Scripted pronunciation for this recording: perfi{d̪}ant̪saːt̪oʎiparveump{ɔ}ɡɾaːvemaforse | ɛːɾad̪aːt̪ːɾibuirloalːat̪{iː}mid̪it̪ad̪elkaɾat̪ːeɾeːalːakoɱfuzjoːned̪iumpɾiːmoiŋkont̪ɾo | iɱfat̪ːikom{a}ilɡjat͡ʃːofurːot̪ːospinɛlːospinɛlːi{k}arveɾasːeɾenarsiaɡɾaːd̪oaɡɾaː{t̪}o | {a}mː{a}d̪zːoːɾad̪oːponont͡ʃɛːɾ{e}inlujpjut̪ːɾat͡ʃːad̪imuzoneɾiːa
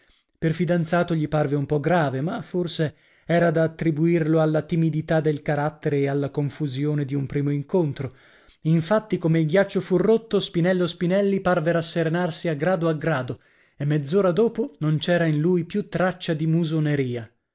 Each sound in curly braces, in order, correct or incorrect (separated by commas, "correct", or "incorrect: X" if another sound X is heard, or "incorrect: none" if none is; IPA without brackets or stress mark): correct, correct, incorrect: i, incorrect: e, incorrect: p, incorrect: d̪, incorrect: e, incorrect: e, incorrect: a